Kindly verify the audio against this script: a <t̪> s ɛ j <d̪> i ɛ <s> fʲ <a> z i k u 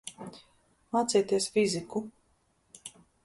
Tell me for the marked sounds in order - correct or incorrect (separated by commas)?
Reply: correct, incorrect, correct, incorrect